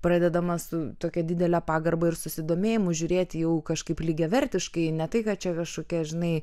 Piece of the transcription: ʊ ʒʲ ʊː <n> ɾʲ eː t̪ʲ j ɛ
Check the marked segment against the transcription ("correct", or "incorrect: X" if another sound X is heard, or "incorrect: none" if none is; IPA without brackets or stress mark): incorrect: none